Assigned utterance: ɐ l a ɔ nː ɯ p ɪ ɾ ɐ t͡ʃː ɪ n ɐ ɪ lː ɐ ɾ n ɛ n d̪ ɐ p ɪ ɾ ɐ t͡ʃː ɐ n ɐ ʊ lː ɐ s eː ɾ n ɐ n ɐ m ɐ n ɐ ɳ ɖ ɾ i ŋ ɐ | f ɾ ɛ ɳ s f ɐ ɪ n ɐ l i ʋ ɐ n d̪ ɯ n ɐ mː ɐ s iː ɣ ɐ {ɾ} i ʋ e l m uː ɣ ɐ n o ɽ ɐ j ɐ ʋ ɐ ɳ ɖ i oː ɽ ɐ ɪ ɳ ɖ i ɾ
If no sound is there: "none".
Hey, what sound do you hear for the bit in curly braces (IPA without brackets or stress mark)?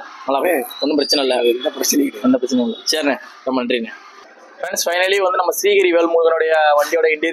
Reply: ɾ